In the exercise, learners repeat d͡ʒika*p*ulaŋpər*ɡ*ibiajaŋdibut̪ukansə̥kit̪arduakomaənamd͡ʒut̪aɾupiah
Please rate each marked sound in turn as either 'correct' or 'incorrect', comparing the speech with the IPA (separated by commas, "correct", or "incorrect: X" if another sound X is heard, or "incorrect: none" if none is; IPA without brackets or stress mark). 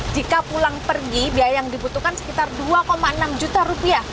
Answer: correct, correct